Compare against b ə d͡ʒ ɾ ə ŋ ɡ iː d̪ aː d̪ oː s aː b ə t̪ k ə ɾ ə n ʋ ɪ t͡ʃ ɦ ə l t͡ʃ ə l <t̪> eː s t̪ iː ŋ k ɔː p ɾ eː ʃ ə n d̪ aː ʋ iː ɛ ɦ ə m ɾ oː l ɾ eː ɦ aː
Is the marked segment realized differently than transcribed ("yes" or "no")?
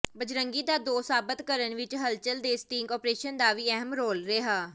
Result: yes